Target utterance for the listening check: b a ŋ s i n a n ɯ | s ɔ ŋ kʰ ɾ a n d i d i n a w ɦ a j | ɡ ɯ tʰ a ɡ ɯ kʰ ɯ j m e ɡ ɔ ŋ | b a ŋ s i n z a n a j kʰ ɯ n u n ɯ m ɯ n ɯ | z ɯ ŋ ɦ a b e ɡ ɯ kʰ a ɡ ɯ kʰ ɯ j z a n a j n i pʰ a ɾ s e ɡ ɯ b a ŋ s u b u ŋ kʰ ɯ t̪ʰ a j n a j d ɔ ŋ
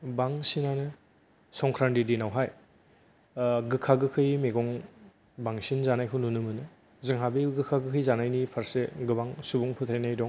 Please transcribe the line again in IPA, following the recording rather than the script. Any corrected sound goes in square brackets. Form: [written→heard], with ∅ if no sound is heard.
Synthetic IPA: b a ŋ s i n a n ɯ | s ɔ ŋ kʰ ɾ a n d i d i n a w ɦ a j | ɡ ɯ [tʰ→kʰ] a ɡ ɯ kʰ ɯ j m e ɡ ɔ ŋ | b a ŋ s i n z a n a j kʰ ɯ n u n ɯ m ɯ n ɯ | z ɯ ŋ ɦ a b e ɡ ɯ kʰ a ɡ ɯ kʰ ɯ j z a n a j n i pʰ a ɾ s e ɡ ɯ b a ŋ s u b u ŋ [kʰ→pʰ] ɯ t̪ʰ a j n a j d ɔ ŋ